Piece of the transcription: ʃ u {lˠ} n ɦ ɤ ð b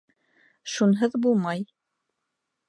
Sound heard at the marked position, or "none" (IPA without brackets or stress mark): none